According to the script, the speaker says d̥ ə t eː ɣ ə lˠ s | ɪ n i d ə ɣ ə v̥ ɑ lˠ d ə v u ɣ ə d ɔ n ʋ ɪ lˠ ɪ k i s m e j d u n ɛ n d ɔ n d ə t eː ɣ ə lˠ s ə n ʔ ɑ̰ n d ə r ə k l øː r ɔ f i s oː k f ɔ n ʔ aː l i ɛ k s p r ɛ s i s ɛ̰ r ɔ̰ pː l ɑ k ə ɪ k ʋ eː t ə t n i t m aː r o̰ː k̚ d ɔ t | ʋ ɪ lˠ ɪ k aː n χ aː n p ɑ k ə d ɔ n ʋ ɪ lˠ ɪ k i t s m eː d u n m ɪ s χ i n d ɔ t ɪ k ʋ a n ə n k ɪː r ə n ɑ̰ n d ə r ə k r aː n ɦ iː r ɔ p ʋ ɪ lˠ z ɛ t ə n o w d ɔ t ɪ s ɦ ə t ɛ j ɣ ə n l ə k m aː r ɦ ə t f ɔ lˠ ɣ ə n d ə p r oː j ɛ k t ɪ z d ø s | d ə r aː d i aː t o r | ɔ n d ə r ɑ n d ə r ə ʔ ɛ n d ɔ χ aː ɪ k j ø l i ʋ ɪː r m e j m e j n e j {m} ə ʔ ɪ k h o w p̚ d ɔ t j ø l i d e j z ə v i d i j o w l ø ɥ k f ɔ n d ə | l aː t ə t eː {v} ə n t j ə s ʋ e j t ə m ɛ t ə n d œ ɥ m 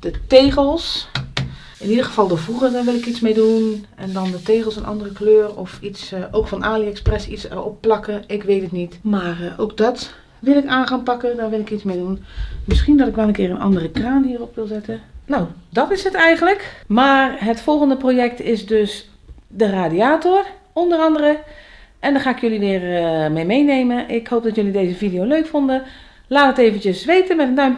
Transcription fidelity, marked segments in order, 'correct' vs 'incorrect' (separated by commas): correct, correct